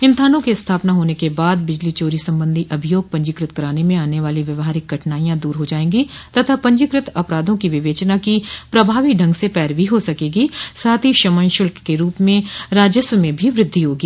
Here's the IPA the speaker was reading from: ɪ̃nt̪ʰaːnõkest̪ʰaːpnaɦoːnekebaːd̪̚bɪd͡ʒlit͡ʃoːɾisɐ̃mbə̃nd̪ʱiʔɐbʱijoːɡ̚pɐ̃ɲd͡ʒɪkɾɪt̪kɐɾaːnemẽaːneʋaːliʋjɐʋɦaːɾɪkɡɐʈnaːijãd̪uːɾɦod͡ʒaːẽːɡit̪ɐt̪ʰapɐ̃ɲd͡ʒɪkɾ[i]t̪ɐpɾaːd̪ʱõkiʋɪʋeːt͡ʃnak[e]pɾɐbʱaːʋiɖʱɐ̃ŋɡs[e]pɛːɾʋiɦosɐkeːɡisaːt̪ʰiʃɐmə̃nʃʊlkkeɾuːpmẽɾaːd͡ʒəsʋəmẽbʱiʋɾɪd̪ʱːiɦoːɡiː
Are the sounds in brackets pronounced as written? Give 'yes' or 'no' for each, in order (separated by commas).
no, no, yes